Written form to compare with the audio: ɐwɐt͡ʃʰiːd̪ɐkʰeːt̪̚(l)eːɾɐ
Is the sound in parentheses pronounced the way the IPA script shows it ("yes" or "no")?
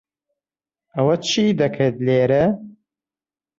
yes